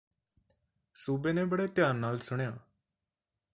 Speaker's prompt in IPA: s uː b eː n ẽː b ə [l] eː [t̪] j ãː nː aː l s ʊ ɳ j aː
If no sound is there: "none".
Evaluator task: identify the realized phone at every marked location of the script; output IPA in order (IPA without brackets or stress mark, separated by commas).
ɽ, t̪